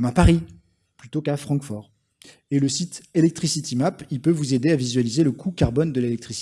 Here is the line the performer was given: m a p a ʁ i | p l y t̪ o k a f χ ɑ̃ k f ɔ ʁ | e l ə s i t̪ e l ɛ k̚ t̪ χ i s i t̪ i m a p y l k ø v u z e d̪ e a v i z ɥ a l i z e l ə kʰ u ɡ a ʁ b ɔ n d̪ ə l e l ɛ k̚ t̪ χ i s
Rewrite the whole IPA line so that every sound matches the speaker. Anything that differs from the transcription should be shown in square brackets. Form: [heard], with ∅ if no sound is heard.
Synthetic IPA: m a p a ʁ i | p l y t̪ o k a f χ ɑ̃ k f ɔ ʁ | e l ə s i t̪ e l ɛ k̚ t̪ χ i s i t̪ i m a p [i] l [p] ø v u z e d̪ e a v i z ɥ a l i z e l ə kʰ u [k] a ʁ b ɔ n d̪ ə l e l ɛ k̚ t̪ χ i s